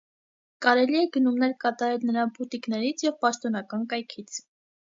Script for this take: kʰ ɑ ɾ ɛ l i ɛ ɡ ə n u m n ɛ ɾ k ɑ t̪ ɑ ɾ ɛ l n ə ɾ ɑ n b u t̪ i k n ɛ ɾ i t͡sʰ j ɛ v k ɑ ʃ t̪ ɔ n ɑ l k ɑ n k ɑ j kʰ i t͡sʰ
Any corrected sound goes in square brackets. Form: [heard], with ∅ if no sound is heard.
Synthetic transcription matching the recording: [k] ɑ ɾ ɛ l i ɛ ɡ ə n u m n ɛ ɾ k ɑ t̪ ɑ ɾ ɛ l n ə ɾ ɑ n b u t̪ i k n ɛ ɾ i t͡sʰ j ɛ v [p] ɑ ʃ t̪ ɔ n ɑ [∅] k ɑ n k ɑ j kʰ i t͡sʰ